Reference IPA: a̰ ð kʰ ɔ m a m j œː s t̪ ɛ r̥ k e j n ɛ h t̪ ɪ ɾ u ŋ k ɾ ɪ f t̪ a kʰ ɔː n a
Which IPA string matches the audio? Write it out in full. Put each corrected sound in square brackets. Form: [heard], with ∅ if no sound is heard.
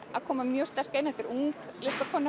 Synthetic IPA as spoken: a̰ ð kʰ [ɔː] m a m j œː s t̪ ɛ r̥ k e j n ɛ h t̪ ɪ ɾ u ŋ k [l] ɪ [s] t̪ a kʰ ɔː n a